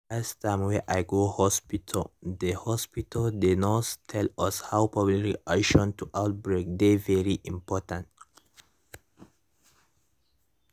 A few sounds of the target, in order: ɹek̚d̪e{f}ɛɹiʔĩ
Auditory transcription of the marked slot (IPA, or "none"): v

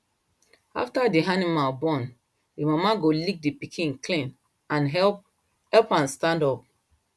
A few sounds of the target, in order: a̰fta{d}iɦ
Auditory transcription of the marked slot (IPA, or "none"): d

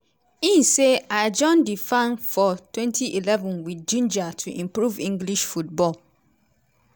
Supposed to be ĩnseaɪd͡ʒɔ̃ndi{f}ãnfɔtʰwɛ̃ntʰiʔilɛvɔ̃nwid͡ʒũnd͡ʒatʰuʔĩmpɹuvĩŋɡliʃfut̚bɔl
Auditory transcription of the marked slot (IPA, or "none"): f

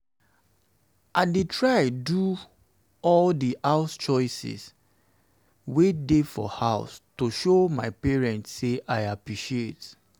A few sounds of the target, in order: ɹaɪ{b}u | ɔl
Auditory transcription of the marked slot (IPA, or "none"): d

